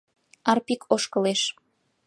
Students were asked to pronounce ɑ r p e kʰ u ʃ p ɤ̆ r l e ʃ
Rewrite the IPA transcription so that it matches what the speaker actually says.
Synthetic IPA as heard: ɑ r p i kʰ o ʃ k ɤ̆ l e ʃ